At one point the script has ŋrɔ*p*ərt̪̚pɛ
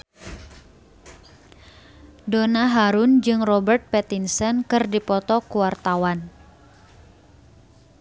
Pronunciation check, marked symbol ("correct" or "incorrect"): incorrect